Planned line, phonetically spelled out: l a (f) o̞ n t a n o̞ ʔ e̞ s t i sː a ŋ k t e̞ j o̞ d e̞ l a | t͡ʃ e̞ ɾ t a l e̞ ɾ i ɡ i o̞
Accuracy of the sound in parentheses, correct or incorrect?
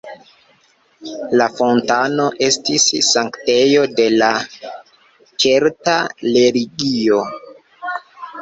correct